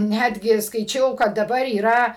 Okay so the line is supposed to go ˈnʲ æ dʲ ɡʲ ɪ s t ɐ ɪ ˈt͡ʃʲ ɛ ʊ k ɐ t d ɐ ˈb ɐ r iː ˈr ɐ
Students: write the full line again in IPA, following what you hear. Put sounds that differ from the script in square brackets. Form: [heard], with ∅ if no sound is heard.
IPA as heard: ˈnʲ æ dʲ ɡʲ ɪ s [k] ɐ ɪ ˈt͡ʃʲ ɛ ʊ k ɐ t d ɐ ˈb ɐ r iː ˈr ɐ